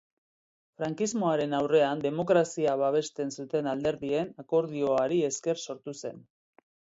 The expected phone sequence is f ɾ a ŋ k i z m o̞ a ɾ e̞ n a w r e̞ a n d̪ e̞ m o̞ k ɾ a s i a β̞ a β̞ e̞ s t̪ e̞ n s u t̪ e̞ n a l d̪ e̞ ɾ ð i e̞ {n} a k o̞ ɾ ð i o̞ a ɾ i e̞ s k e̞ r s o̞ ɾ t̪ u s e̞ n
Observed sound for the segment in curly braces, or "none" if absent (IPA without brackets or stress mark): n